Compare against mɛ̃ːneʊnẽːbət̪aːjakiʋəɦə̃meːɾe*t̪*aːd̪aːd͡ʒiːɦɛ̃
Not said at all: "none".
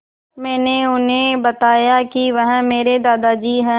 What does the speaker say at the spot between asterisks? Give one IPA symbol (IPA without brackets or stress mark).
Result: d̪